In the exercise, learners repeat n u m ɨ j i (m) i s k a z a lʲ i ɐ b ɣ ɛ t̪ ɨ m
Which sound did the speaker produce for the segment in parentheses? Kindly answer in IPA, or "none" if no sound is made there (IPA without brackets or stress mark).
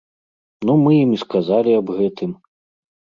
m